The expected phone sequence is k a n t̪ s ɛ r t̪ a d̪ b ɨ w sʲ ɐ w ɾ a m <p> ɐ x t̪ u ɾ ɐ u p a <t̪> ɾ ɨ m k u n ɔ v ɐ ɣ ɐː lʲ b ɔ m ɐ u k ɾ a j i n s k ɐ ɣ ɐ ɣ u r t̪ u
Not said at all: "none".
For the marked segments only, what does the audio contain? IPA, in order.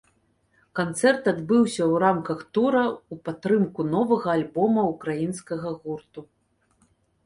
k, t̪

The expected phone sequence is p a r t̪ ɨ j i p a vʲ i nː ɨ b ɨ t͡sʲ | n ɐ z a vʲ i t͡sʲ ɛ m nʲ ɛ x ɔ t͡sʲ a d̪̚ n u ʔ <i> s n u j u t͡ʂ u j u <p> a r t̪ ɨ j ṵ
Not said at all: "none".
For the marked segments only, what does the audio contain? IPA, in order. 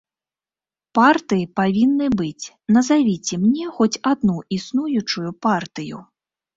i, p

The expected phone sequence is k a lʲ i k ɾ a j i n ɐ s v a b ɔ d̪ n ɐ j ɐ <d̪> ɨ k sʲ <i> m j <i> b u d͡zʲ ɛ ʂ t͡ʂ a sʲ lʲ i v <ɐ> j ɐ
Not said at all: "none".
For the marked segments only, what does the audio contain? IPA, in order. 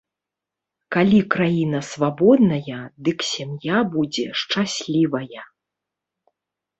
d̪, a, a, ɐ

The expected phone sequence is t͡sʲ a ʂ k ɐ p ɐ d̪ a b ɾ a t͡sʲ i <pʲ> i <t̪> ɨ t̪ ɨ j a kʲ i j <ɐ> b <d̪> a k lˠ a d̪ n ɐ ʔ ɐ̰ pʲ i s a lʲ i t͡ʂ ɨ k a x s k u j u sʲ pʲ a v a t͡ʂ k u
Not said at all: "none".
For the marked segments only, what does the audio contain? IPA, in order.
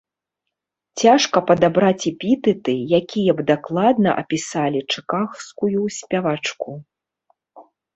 pʲ, t̪, ɐ, d̪

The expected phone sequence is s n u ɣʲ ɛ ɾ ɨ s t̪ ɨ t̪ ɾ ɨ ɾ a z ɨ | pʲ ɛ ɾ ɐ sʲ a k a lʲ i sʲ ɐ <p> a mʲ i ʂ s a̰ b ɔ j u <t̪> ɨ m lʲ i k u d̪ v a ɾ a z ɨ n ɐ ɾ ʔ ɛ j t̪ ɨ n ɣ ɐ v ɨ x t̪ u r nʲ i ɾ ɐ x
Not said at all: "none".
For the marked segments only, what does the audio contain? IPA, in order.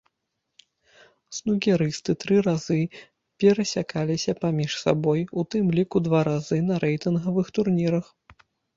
p, t̪

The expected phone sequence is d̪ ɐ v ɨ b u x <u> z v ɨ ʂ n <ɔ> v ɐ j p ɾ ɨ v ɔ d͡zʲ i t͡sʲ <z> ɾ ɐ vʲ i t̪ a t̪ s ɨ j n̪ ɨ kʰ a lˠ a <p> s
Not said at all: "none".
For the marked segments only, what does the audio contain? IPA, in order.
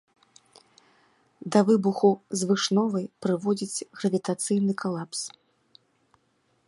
u, ɔ, ɣ, p

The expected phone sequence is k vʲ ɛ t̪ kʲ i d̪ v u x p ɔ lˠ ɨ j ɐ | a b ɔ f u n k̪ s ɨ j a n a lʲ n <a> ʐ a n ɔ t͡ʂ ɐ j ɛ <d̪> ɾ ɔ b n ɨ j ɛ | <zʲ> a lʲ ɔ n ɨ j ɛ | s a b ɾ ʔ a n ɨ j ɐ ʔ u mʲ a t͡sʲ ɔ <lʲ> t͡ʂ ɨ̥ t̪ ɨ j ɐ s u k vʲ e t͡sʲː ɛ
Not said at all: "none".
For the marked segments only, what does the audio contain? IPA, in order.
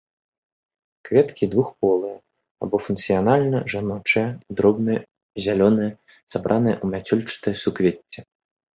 ɐ, d̪, zʲ, lʲ

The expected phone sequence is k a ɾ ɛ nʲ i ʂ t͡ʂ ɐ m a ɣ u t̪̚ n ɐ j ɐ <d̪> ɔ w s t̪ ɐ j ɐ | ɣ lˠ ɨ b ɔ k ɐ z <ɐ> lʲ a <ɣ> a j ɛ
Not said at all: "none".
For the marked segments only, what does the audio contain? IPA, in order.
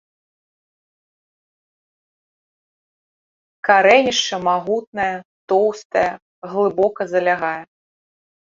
t̪, ɐ, ɣ

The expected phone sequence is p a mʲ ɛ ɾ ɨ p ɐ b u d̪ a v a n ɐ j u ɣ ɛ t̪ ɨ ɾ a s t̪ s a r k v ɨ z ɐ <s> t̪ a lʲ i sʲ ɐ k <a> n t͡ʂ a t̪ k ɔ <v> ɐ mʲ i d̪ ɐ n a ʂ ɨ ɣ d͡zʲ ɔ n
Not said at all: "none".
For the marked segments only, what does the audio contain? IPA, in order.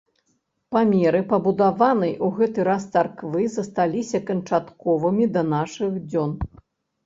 s, ɐ, v

